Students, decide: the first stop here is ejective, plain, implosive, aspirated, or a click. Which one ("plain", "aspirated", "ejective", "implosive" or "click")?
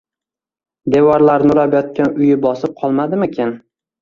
plain